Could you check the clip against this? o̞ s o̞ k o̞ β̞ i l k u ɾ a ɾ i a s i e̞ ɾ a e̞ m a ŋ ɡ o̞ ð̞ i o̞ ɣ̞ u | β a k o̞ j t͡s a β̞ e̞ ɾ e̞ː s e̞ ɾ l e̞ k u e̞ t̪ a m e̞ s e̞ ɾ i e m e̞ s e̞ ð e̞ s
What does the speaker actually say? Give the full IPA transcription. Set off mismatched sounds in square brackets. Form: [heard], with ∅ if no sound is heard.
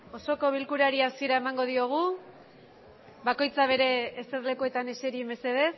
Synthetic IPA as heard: o̞ s o̞ k o̞ β̞ i l k u ɾ a ɾ i a s i e̞ ɾ a e̞ m a ŋ ɡ o̞ ð̞ i o̞ ɣ̞ u | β a k o̞ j t͡s a β̞ e̞ ɾ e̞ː s e̞ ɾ l e̞ k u e̞ t̪ a [n] e̞ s e̞ ɾ i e m e̞ s e̞ ð e̞ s